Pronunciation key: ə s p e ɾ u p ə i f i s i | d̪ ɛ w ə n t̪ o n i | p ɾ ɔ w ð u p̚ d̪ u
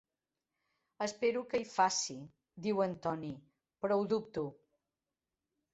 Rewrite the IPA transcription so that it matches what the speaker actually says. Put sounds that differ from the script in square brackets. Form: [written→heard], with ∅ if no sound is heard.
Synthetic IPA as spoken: ə s p e ɾ u [p→k] ə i f [i→a] s i | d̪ [ɛ→i] w ə n t̪ [o→ɔ] n i | p ɾ ɔ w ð u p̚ [d̪→t̪] u